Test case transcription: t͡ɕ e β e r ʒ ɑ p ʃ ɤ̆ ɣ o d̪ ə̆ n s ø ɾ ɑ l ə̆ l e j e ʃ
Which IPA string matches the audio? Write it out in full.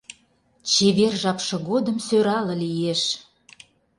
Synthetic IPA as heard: t͡ɕ e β e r ʒ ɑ p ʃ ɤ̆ ɣ o d̪ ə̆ m s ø ɾ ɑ l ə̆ l i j e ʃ

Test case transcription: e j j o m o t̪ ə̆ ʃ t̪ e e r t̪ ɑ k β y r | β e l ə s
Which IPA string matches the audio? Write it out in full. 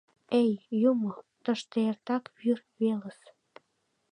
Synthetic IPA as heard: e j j u m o t̪ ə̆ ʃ t̪ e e r t̪ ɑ k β y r | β e l ə s

